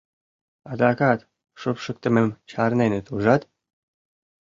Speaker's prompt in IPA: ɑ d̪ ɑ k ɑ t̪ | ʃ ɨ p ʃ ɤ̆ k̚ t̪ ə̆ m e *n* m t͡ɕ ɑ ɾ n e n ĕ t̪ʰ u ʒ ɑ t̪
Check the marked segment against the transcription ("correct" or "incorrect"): incorrect